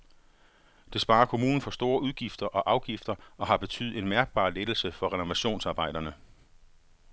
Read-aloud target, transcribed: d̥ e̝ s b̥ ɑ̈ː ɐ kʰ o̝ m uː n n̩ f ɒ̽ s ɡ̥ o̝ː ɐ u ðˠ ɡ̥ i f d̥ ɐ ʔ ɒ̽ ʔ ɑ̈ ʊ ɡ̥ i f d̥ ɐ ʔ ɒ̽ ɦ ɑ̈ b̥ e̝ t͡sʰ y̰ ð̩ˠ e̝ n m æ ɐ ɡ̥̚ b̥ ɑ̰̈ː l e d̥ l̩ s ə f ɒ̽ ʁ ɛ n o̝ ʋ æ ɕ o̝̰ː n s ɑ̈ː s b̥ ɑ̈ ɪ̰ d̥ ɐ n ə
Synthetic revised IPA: d̥ e̝ s b̥ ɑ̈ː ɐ kʰ o̝ m uː n n̩ f ɒ̽ s d̥ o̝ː ɐ u ðˠ ɡ̥ i f d̥ ɐ ʔ ɒ̽ ʔ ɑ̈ ʊ ɡ̥ i f d̥ ɐ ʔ ɒ̽ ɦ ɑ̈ b̥ e̝ t͡sʰ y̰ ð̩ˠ e̝ n m æ ɐ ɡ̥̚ b̥ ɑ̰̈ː l e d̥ l̩ s ə f ɒ̽ ʁ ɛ n o̝ ʋ æ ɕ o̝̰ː n s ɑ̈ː b̥ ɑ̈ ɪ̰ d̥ ɐ n ə